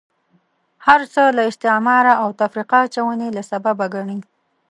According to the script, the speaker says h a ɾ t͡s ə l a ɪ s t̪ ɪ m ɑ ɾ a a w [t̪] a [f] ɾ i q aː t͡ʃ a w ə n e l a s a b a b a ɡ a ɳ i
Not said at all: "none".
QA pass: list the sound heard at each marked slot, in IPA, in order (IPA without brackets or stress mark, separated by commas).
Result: t̪, f